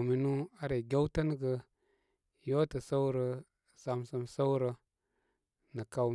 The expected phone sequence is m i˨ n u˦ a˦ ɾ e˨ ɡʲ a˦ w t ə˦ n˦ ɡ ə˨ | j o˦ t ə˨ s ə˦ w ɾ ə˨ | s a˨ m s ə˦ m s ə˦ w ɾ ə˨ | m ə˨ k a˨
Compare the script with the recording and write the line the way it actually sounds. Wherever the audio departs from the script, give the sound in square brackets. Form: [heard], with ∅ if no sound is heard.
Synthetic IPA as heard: m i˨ n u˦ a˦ ɾ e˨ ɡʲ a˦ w t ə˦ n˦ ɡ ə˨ | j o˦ t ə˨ s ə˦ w ɾ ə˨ | s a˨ m s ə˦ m s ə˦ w ɾ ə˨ | [n] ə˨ k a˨